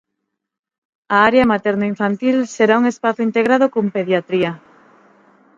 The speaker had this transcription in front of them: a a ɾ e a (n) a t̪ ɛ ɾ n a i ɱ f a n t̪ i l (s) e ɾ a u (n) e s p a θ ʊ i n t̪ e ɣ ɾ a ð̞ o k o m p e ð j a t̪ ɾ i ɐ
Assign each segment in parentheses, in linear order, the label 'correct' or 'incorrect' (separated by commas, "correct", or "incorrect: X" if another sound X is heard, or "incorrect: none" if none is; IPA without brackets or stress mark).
incorrect: m, correct, incorrect: ŋ